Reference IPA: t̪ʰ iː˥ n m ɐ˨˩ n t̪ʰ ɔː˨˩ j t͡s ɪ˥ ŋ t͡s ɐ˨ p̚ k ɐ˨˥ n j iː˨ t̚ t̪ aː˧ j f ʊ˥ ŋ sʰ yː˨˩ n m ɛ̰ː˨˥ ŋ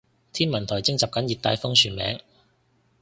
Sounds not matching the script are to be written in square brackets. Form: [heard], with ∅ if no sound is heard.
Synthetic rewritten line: t̪ʰ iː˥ n m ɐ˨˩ n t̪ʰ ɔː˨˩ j t͡s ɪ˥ ŋ t͡s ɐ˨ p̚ k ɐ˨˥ n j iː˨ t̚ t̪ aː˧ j f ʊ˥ ŋ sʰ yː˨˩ n m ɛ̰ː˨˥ ŋ